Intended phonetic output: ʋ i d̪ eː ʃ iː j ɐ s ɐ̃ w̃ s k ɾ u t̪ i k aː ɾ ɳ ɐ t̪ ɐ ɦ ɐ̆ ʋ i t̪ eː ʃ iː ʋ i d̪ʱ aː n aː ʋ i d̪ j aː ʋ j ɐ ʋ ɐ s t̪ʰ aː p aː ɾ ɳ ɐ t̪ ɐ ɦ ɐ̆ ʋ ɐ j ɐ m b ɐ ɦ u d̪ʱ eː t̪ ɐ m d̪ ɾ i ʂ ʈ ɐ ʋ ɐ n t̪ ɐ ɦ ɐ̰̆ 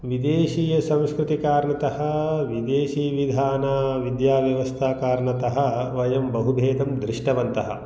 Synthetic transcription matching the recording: ʋ i d̪ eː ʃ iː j ɐ s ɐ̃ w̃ s k ɾ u t̪ i k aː ɾ ɳ ɐ t̪ ɐ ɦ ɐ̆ ʋ i d̪ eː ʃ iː ʋ i d̪ʱ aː n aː ʋ i d̪ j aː ʋ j ɐ ʋ ɐ s t̪ʰ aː k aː ɾ ɳ ɐ t̪ ɐ ɦ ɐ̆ ʋ ɐ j ɐ m b ɐ ɦ u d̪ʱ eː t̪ ɐ m d̪ ɾ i ʂ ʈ ɐ ʋ ɐ n t̪ ɐ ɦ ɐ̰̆

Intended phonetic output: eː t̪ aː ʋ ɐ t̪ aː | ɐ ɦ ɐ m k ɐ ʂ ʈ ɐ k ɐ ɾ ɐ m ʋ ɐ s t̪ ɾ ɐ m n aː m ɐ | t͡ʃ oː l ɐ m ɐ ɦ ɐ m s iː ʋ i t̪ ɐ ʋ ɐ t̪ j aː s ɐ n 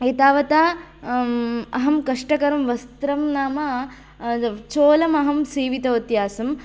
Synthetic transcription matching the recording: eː t̪ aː ʋ ɐ t̪ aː | ɐ ɦ ɐ m k ɐ ʂ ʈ ɐ k ɐ ɾ ɐ m ʋ ɐ s t̪ ɾ ɐ m n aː m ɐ | t͡ʃ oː l ɐ m ɐ ɦ ɐ m s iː ʋ i t̪ ɐ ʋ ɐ t̪ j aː s ɐ m

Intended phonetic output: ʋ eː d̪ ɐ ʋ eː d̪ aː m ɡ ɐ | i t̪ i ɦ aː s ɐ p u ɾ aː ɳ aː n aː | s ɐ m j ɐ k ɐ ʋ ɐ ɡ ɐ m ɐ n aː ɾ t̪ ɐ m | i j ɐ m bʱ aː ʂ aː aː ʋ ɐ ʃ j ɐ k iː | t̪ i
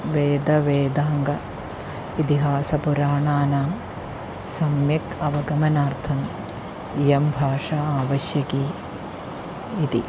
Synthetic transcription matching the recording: ʋ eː d̪ ɐ ʋ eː d̪ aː ŋ ɡ ɐ | i t̪ i ɦ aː s ɐ p u ɾ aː ɳ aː n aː | s ɐ m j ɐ k ɐ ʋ ɐ ɡ ɐ m ɐ n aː ɾ t̪ʰ ɐ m | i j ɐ m bʱ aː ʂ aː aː ʋ ɐ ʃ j ɐ k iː | t̪ i

